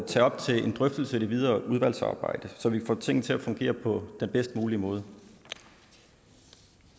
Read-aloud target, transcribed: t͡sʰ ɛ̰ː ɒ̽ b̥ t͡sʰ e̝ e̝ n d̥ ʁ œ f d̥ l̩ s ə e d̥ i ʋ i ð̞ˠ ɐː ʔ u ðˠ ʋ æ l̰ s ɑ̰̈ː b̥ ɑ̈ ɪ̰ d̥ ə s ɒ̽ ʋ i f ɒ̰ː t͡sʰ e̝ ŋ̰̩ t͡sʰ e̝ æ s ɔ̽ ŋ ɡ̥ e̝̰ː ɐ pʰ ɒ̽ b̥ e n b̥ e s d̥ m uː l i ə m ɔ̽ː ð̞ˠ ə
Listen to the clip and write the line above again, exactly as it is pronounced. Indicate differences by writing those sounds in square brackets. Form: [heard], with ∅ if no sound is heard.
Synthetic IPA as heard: t͡sʰ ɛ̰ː ɒ̽ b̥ t͡sʰ e̝ e̝ n d̥ ʁ œ f d̥ l̩ s ə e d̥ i ʋ i ð̞ˠ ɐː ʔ u ðˠ ʋ æ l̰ s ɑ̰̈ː b̥ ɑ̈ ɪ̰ d̥ ə s ɒ̽ ʋ i f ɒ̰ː t͡sʰ e̝ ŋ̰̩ t͡sʰ e̝ æ [f] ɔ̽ ŋ ɡ̥ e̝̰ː ɐ pʰ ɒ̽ [d̥] e n b̥ e s d̥ m uː l i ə m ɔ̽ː ð̞ˠ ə

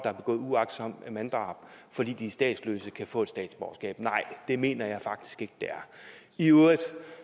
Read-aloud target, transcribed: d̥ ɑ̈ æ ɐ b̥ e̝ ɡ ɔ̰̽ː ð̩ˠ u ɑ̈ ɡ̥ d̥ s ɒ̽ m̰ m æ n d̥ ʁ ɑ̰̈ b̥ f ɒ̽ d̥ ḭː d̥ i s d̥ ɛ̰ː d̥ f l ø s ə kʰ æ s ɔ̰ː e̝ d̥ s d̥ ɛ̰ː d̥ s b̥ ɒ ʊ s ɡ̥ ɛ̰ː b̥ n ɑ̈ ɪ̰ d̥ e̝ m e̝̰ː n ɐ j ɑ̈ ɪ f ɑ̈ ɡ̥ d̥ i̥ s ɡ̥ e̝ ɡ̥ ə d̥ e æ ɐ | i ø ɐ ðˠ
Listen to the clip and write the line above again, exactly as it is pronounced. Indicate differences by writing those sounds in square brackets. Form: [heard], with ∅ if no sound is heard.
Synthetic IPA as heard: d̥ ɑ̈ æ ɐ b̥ e̝ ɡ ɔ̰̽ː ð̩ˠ u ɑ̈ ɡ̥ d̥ s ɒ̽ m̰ m æ n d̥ ʁ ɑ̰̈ b̥ f ɒ̽ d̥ ḭː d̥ i s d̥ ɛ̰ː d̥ [s] l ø s ə kʰ æ [f] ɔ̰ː e̝ d̥ s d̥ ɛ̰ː d̥ s b̥ ɒ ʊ s ɡ̥ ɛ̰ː b̥ n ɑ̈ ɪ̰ d̥ e̝ m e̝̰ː n ɐ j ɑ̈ ɪ f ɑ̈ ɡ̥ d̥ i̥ s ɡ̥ e̝ ɡ̥ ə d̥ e æ ɐ | i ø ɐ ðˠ

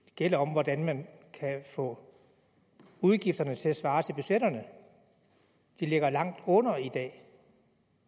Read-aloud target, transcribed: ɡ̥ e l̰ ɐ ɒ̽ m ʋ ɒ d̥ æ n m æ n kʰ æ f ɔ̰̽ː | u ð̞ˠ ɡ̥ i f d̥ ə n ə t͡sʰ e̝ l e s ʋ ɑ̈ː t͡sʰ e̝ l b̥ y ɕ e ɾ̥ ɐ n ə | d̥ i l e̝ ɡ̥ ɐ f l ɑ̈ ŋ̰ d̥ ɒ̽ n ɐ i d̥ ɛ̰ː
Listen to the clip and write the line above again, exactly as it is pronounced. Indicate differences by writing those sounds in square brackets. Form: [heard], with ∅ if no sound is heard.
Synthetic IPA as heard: ɡ̥ e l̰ ɐ ɒ̽ m ʋ ɒ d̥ æ n m æ n kʰ æ f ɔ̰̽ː | u ð̞ˠ ɡ̥ i f d̥ [ɐ] n ə t͡sʰ e̝ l [æ] s ʋ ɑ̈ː t͡sʰ e̝ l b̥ y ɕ e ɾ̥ ɐ n ə | d̥ i l e̝ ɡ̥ ɐ [∅] l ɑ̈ ŋ̰ d̥ [ɔ̽] n ɐ i d̥ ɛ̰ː

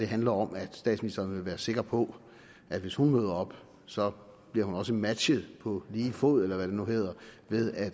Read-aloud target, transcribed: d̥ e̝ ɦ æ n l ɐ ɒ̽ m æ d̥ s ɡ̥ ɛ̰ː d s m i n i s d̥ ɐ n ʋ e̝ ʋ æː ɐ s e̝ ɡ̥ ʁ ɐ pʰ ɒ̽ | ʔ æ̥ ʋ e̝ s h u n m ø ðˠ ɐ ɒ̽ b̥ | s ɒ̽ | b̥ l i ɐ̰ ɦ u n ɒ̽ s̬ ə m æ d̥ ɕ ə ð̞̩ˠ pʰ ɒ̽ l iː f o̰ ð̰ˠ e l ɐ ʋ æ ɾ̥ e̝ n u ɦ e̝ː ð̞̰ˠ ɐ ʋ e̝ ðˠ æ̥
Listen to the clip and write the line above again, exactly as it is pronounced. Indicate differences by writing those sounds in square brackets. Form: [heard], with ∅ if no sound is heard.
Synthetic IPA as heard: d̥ e̝ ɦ æ n l ɐ ɒ̽ m æ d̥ s [d̥] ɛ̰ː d s m i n i s d̥ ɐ n ʋ e̝ ʋ æː ɐ s e̝ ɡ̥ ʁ ɐ pʰ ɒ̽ | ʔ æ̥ ʋ e̝ s h u n m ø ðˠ ɐ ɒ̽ b̥ | s ɒ̽ | b̥ l i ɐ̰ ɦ u n ɒ̽ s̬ ə m æ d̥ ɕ ə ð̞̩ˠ pʰ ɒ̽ l iː f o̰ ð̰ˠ e l ɐ ʋ æ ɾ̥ e̝ n u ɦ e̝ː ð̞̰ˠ ɐ ʋ e̝ ðˠ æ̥

